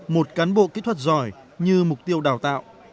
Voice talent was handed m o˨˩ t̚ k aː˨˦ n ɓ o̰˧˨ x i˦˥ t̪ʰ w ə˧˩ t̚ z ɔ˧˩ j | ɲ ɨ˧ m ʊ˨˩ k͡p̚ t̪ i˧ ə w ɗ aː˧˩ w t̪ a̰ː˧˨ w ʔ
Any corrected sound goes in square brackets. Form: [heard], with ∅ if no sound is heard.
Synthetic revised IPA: m o˨˩ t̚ k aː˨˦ n ɓ o̰˧˨ [k] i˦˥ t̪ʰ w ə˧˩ t̚ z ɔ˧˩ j | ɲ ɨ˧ m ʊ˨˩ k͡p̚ t̪ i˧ ə w ɗ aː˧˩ w t̪ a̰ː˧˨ w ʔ